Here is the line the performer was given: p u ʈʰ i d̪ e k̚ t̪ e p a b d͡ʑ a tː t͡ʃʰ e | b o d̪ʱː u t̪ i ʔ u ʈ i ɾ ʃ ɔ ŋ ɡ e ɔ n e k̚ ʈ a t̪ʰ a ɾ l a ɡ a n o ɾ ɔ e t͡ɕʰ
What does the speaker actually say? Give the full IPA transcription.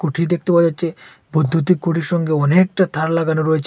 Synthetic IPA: k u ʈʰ i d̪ e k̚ t̪ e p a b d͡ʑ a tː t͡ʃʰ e | b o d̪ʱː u t̪ i k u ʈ i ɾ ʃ ɔ ŋ ɡ e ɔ n e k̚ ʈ a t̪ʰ a ɾ l a ɡ a n o ɾ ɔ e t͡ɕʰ